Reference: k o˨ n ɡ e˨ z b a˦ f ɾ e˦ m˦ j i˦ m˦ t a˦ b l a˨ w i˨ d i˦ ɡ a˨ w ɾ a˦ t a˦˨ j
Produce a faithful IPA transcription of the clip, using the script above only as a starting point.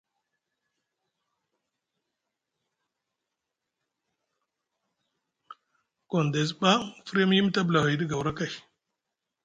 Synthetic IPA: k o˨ n d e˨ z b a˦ f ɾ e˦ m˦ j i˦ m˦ t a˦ b l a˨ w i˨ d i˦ ɡ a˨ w ɾ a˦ k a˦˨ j